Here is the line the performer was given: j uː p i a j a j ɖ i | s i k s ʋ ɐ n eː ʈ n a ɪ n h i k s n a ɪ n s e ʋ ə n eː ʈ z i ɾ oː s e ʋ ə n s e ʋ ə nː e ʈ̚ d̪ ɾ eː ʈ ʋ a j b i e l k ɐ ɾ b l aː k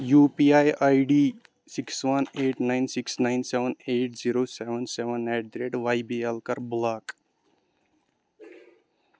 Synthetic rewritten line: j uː p i a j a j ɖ i | s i k s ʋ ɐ n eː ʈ n a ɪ n s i k s n a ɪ n s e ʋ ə n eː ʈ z i ɾ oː s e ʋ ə n s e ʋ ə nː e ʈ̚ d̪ ɾ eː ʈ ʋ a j b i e l k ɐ ɾ b l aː k